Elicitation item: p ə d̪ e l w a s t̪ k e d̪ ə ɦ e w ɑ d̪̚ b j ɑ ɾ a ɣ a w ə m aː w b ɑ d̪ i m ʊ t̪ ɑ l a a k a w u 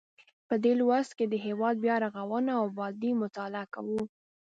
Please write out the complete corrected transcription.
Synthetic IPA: p ə d̪ e l w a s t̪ k e d̪ ə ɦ e w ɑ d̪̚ b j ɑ ɾ a ɣ a w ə n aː w b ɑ d̪ i m ʊ t̪ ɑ l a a k a w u